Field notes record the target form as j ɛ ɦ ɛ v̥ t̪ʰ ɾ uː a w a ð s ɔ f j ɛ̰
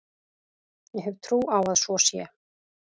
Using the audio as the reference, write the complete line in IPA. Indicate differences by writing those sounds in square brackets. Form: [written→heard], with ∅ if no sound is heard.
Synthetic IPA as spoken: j ɛ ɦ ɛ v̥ t̪ʰ ɾ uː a w a ð s ɔ [f→s] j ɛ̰